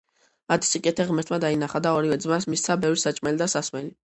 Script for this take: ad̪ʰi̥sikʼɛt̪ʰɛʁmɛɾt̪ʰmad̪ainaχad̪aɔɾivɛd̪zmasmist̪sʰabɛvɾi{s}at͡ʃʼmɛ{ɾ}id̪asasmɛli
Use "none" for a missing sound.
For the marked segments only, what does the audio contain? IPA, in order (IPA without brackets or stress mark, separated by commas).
s, l